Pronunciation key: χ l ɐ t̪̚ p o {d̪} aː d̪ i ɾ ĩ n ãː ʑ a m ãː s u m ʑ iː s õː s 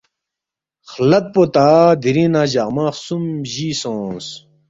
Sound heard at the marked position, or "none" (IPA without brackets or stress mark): t̪